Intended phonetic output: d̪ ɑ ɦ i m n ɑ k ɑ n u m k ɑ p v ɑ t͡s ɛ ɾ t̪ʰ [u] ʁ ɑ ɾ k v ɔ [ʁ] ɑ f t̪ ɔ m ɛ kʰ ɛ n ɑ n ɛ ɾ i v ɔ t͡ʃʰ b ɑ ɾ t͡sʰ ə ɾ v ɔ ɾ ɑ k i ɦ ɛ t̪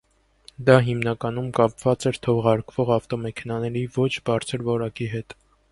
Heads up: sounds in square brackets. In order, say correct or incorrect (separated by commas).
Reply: incorrect, correct